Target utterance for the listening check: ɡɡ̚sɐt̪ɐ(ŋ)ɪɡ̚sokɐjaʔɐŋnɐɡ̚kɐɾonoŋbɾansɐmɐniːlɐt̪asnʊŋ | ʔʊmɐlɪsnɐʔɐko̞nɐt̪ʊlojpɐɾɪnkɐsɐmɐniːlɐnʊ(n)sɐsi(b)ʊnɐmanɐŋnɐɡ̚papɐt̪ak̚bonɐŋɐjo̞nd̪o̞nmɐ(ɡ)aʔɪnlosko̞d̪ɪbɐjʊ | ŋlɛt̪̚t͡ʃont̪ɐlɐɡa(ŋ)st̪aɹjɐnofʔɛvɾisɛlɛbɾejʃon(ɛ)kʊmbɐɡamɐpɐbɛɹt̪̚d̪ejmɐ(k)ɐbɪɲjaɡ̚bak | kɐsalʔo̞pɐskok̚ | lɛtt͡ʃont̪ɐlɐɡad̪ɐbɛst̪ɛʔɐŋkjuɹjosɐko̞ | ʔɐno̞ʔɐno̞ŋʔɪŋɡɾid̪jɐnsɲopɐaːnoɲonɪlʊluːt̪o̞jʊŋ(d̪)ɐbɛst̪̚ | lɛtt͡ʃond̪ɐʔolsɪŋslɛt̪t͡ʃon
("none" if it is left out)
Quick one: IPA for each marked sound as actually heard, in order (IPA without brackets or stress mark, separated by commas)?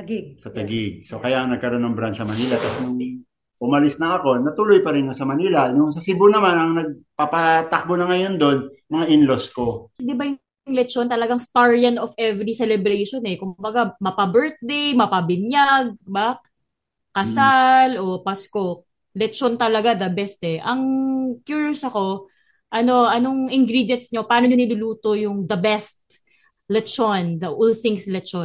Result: ɡ, ŋ, b, ŋ, ŋ, ɛ, p, d̪